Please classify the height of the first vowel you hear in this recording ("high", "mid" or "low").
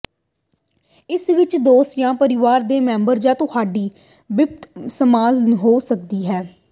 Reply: high